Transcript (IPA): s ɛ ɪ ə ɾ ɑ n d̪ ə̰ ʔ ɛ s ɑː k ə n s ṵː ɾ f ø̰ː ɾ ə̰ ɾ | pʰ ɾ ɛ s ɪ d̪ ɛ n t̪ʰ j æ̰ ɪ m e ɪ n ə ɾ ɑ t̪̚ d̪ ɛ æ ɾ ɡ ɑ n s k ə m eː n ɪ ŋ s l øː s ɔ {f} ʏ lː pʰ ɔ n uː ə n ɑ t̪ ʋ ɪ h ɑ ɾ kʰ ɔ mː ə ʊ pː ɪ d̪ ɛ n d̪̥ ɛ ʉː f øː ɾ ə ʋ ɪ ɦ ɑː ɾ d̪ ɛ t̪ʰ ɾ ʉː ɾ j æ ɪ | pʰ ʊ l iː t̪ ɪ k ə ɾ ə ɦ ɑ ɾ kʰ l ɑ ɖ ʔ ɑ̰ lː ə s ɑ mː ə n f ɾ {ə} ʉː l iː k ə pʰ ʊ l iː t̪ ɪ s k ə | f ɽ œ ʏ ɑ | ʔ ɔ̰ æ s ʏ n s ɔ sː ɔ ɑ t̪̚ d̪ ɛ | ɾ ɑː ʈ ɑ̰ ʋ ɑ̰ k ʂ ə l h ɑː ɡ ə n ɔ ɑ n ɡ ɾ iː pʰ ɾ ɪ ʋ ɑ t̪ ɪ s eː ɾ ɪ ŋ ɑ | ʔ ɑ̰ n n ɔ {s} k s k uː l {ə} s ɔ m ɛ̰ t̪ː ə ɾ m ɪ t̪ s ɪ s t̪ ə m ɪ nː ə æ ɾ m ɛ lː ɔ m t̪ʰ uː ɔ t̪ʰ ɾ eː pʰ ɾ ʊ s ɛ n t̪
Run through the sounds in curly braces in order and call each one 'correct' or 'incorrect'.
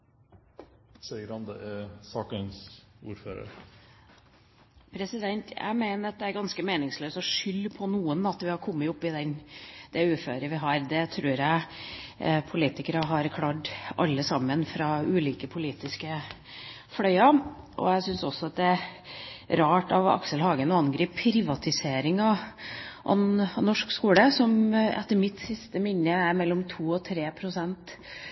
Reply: incorrect: ʂ, incorrect: ɑ, incorrect: ʂ, correct

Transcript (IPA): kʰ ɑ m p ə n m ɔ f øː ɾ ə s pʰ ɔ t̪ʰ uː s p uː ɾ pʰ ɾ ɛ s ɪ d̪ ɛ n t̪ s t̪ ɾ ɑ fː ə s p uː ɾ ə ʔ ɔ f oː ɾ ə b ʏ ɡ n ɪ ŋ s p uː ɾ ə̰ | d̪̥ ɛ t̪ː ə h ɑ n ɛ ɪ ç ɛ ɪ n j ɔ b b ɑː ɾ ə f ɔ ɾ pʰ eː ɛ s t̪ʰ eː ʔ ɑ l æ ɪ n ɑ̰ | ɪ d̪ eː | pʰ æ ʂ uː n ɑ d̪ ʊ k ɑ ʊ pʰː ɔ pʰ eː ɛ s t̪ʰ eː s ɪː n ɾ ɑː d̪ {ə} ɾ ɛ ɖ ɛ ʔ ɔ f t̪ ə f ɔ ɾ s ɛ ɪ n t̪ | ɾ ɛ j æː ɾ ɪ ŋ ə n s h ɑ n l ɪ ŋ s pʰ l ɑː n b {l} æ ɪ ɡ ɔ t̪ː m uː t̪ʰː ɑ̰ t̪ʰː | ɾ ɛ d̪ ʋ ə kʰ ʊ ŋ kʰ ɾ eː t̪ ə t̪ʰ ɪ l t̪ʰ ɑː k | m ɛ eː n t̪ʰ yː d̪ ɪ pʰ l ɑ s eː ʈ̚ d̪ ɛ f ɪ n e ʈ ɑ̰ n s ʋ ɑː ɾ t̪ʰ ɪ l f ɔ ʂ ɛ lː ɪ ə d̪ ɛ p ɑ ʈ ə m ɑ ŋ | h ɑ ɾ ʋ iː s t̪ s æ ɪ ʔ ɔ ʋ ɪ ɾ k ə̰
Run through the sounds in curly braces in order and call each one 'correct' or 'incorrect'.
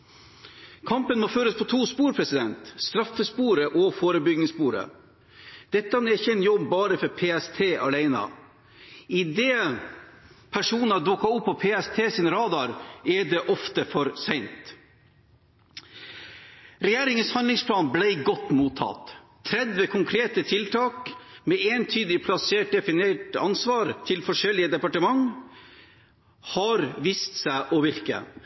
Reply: incorrect: ɑ, correct

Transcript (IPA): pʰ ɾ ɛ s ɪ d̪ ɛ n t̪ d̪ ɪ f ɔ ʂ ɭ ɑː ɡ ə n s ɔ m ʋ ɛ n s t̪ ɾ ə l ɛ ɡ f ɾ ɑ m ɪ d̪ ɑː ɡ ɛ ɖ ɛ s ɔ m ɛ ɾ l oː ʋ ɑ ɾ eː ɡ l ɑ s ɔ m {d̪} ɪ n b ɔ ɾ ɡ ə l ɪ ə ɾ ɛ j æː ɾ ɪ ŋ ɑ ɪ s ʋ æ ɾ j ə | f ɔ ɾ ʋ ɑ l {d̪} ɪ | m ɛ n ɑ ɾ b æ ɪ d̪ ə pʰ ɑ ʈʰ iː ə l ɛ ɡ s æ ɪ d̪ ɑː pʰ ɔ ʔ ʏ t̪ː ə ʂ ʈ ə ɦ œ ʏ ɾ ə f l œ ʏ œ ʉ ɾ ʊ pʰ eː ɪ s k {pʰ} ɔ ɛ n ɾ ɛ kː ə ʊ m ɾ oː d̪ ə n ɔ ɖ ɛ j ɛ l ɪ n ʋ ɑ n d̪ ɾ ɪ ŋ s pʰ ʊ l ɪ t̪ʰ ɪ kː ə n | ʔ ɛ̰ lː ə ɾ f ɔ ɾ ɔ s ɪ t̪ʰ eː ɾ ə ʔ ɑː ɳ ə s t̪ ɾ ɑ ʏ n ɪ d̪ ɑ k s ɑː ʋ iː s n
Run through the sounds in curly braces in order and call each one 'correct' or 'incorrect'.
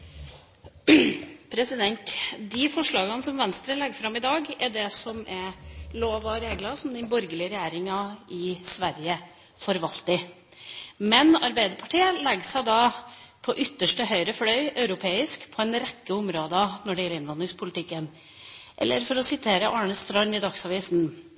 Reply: correct, incorrect: t̪, correct

